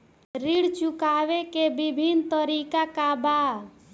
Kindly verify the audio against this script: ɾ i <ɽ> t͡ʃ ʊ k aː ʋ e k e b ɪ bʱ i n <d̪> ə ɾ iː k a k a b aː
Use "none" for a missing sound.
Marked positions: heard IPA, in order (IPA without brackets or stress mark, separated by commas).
ɽ, t̪